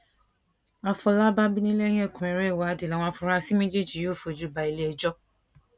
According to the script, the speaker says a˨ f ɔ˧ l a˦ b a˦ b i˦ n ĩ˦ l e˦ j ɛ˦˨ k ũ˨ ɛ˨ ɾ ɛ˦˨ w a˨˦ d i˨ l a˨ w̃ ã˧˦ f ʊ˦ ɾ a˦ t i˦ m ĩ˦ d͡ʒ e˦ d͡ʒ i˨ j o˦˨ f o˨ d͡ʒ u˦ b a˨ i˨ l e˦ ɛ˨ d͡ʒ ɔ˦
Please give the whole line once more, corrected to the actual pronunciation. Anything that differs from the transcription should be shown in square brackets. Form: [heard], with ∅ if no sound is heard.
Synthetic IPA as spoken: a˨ f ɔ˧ l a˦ b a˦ b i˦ n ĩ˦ l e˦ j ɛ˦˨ k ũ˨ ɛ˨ ɾ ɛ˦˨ w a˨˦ d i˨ l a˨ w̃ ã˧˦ f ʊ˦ ɾ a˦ [s] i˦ m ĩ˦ d͡ʒ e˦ d͡ʒ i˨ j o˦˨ f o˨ d͡ʒ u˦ b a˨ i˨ l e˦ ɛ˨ d͡ʒ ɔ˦

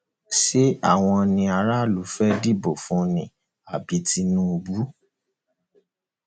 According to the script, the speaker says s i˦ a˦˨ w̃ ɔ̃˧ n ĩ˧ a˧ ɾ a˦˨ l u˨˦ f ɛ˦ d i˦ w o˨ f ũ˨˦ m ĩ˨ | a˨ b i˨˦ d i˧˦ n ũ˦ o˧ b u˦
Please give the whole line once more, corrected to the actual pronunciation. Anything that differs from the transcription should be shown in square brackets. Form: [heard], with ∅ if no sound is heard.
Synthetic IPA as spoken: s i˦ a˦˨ w̃ ɔ̃˧ n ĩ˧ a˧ ɾ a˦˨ l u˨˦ f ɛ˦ d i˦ [b] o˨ f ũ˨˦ [n] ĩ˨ | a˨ b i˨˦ [t] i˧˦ n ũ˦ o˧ b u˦

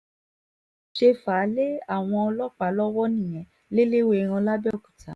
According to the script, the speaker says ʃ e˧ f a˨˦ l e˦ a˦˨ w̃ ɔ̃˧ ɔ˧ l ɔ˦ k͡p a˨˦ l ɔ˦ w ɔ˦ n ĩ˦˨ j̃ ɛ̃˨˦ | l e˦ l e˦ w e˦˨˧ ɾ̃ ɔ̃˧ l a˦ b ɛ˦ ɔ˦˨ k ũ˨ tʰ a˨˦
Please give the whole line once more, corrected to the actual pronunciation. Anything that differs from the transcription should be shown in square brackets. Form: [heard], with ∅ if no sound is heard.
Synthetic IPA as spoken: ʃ e˧ f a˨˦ l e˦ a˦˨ w̃ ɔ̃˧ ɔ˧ l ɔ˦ k͡p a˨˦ l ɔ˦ w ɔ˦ n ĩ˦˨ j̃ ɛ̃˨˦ | l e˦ l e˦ w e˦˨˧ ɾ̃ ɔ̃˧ l a˦ b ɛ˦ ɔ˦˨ k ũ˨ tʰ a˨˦

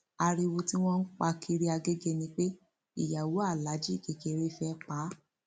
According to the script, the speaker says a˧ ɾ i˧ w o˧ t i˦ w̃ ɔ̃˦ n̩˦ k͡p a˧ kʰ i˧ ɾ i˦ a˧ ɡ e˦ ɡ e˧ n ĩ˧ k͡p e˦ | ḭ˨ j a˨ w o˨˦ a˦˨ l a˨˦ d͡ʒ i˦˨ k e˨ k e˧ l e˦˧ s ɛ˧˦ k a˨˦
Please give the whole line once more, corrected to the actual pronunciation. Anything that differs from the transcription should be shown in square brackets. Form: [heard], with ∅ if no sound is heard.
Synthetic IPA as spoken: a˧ ɾ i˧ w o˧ t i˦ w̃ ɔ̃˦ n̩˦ k͡p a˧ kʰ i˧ ɾ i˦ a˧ ɡ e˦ ɡ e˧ n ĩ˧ k͡p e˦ | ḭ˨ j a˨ w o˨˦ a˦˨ l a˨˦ d͡ʒ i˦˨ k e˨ k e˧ [ɾ] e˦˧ [f] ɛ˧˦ [k͡p] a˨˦

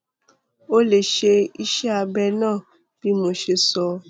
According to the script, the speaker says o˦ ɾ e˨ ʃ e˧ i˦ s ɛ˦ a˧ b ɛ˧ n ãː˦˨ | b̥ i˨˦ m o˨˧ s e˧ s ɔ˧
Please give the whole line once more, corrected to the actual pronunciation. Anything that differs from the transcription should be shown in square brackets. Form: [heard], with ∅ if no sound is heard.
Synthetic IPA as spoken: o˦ [l] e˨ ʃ e˧ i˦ [ʃ] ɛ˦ a˧ b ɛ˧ n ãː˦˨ | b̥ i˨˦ m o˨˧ [ʃ] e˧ s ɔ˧

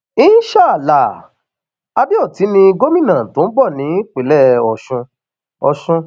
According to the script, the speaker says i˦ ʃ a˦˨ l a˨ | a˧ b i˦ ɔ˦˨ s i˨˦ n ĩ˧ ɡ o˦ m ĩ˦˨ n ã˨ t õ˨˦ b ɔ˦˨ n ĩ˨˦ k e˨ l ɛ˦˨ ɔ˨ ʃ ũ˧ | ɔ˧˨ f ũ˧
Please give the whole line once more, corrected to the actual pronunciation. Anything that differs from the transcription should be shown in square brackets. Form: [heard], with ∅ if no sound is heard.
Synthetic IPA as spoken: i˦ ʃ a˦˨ l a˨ | a˧ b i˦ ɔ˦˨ [t] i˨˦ n ĩ˧ ɡ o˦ m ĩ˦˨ n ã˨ t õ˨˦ b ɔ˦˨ n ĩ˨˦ [k͡p] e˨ l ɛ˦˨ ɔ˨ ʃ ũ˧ | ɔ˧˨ [ʃ] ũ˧

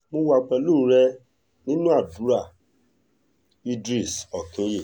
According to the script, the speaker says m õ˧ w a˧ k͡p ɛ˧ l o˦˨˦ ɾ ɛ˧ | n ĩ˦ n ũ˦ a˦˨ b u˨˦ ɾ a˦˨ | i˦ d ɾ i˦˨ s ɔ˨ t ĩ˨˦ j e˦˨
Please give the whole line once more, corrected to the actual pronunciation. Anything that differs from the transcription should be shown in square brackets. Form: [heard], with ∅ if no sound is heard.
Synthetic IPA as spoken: m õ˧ w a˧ k͡p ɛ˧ l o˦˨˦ ɾ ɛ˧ | n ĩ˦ n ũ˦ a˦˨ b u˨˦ ɾ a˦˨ | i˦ d ɾ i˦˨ s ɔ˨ [k] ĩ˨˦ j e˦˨

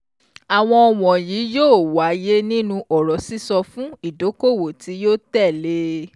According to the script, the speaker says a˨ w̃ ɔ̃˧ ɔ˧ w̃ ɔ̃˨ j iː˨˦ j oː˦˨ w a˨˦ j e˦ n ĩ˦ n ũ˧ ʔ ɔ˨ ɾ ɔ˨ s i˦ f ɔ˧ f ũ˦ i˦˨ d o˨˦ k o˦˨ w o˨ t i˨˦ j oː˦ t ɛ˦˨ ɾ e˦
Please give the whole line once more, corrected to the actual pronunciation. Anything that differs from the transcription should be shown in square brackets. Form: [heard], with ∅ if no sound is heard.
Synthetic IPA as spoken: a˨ w̃ ɔ̃˧ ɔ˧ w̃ ɔ̃˨ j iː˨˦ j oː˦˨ w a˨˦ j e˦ n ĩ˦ n ũ˧ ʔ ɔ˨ ɾ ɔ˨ s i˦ [s] ɔ˧ f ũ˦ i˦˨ d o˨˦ k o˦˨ w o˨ t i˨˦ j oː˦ t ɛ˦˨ [l] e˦

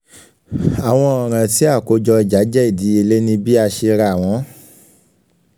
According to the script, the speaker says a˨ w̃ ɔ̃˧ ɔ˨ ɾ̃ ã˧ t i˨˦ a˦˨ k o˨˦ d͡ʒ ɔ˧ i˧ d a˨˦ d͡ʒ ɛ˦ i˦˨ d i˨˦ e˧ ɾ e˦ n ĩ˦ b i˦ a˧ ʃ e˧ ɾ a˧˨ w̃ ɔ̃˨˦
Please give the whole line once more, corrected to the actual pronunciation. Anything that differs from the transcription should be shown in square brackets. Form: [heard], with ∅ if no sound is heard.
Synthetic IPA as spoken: a˨ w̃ ɔ̃˧ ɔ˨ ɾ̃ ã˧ t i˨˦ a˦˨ k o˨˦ d͡ʒ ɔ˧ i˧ [d͡ʒ] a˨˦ d͡ʒ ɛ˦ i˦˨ d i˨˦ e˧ [l] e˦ n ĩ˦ b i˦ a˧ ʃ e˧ ɾ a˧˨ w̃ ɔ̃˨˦

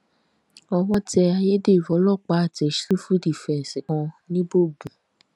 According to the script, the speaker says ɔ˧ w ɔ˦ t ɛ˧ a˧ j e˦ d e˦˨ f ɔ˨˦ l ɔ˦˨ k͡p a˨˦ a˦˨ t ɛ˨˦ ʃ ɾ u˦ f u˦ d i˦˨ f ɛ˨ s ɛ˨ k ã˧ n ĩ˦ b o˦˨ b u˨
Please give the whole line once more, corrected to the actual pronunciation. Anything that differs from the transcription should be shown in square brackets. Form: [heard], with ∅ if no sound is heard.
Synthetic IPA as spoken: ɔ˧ w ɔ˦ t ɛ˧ a˧ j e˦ d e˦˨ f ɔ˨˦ l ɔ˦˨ k͡p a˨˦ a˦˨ t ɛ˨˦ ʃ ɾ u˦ f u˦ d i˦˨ f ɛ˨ s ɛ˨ k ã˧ n ĩ˦ b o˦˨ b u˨

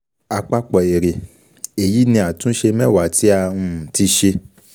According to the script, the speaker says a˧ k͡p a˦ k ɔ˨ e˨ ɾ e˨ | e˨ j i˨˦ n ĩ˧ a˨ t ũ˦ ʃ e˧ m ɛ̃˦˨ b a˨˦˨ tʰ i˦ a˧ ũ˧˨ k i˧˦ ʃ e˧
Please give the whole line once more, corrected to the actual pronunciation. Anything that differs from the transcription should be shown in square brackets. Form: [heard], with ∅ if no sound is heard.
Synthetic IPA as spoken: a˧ k͡p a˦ [k͡p] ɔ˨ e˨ ɾ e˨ | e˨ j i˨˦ n ĩ˧ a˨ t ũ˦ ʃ e˧ m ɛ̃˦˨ [w] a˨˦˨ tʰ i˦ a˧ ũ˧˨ [t] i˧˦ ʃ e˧

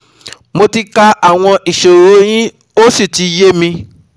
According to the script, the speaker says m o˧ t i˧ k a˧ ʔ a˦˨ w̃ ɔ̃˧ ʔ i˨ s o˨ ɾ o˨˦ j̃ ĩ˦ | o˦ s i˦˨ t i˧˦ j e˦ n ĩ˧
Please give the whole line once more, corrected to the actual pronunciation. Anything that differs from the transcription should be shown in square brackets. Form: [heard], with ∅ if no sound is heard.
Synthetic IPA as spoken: m o˧ t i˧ k a˧ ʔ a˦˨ w̃ ɔ̃˧ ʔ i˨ [ʃ] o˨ ɾ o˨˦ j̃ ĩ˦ | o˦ s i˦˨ t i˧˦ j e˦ [m] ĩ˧

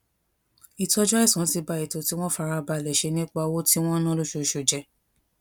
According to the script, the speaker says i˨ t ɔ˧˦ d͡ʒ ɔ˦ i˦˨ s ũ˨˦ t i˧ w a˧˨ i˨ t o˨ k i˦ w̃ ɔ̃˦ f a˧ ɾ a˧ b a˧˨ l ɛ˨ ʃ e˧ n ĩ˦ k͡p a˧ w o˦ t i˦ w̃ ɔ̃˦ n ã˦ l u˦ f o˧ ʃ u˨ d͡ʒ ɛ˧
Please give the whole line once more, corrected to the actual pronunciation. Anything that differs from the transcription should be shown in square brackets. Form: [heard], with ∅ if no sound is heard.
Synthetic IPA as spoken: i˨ t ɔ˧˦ d͡ʒ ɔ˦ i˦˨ s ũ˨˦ t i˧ [b] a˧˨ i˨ t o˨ [t] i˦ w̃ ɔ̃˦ f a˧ ɾ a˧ b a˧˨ l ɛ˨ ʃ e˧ n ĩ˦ k͡p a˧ w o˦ t i˦ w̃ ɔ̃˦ n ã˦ l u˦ [ʃ] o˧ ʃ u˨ d͡ʒ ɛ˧

